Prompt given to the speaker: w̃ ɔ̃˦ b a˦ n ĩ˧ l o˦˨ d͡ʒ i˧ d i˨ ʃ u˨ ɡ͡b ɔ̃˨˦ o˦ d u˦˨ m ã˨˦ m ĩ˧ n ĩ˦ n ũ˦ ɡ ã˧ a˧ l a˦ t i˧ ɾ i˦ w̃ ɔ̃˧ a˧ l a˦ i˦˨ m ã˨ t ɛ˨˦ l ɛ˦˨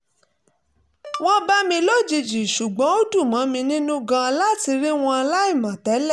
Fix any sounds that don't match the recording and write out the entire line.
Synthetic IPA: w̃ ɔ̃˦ b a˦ m ĩ˧ l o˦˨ d͡ʒ i˧ d͡ʒ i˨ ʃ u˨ ɡ͡b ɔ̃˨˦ o˦ d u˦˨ m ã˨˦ m ĩ˧ n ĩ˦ n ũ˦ ɡ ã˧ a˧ l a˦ t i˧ ɾ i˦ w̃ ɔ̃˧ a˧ l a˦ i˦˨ m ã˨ t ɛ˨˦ l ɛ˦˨